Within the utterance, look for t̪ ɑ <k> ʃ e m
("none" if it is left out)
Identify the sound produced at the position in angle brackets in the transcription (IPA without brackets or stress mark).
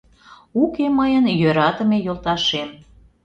none